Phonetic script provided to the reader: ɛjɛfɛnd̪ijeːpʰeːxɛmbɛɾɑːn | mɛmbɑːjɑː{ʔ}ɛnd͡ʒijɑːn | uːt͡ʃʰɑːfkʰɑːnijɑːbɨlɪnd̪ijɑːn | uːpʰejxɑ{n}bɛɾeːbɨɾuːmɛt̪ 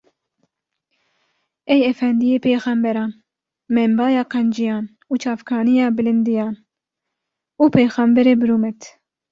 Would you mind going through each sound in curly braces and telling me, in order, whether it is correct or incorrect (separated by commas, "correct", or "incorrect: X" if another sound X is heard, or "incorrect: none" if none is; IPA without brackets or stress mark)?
incorrect: q, incorrect: m